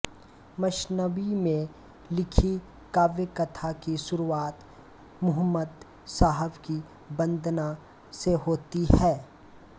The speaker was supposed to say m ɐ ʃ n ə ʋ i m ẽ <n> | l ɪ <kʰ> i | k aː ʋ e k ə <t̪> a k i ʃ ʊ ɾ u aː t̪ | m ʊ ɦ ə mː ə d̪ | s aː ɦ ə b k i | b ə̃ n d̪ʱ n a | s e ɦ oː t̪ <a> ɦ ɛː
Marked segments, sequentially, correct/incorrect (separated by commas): incorrect, correct, incorrect, incorrect